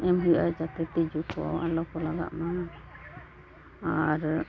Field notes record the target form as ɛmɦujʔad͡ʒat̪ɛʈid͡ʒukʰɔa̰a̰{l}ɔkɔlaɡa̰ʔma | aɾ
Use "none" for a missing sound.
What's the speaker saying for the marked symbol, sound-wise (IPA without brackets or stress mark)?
l